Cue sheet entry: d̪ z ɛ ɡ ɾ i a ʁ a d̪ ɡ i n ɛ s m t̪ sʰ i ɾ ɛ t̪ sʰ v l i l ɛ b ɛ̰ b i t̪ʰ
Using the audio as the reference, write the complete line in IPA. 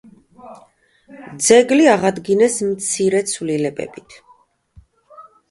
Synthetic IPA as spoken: d̪ z ɛ ɡ l i a ʁ a d̪ ɡ i n ɛ s m t̪ sʰ i ɾ ɛ t̪ sʰ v l i l ɛ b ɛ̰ b i t̪ʰ